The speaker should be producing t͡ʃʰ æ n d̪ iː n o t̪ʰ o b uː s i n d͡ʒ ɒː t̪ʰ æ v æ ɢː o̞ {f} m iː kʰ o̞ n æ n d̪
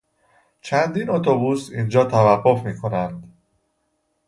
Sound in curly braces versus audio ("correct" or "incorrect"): correct